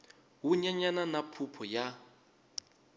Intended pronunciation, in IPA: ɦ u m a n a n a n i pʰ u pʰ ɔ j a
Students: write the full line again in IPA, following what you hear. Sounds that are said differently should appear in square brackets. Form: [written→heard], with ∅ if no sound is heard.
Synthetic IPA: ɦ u [m→ɲ] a [n→ɲ] a n a n [i→a] pʰ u pʰ ɔ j a